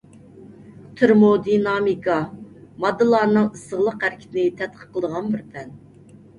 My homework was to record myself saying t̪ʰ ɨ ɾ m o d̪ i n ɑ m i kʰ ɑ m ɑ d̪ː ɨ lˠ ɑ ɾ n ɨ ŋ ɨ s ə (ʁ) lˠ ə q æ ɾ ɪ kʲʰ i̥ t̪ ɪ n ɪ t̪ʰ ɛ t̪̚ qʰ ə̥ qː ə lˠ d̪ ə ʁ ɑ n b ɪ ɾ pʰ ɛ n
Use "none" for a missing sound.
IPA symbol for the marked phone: ʁ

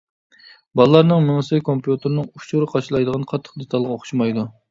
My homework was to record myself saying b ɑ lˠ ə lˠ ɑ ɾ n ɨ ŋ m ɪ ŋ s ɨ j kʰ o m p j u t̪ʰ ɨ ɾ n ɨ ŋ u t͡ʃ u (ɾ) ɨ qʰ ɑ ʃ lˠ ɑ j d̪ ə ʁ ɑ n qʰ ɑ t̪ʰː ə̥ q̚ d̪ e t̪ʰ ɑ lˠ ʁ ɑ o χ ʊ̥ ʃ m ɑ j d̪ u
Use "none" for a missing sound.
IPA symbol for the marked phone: ɾ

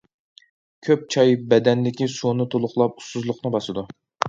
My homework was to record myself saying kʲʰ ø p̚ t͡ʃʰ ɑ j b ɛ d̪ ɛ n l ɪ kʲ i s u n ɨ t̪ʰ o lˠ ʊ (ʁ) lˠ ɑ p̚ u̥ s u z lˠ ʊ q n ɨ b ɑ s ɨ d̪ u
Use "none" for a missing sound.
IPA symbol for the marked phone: χ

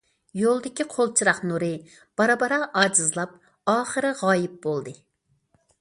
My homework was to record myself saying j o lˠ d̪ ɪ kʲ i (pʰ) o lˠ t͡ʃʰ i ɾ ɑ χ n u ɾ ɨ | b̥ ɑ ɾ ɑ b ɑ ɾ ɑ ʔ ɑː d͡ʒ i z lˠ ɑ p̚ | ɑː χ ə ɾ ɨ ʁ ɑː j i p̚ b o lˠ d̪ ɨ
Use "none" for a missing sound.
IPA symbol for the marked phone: qʰ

